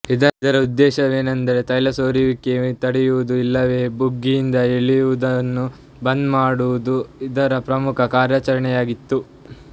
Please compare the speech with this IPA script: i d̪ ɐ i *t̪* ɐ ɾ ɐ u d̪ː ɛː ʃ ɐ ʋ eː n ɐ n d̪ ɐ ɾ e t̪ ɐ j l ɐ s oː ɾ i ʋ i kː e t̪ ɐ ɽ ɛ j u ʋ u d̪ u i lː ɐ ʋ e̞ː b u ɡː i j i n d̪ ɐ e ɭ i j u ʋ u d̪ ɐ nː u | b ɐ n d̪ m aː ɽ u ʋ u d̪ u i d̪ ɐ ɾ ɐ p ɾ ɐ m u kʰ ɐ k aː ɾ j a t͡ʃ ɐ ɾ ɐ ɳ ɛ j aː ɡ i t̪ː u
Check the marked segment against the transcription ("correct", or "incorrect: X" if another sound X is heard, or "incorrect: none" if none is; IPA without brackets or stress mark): incorrect: d̪